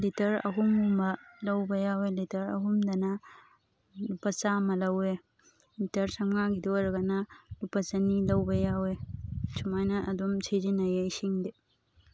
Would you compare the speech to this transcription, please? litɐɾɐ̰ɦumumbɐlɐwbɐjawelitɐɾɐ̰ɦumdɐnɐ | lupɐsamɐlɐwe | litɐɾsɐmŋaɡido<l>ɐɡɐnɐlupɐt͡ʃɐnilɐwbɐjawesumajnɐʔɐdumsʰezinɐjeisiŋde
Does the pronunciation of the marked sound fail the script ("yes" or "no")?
yes